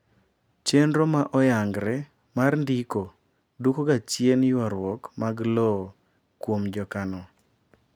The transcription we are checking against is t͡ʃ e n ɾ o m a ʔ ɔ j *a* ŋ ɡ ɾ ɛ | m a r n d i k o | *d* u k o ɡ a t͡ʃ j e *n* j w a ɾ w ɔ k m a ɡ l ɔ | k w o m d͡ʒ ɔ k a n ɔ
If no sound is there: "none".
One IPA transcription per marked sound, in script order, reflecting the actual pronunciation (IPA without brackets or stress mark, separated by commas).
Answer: a, d, n